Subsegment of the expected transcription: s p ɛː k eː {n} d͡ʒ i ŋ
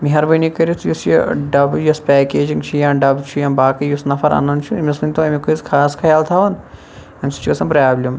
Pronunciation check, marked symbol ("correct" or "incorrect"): incorrect